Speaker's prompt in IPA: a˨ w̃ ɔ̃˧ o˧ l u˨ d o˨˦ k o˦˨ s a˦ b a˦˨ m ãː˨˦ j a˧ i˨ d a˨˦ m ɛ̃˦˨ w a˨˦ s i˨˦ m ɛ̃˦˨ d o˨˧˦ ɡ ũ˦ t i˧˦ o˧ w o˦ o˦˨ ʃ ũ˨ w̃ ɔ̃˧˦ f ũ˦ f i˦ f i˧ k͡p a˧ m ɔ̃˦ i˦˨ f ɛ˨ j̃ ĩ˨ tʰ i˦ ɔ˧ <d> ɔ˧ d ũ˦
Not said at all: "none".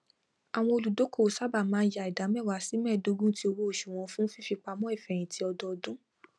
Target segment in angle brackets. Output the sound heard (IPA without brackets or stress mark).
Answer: d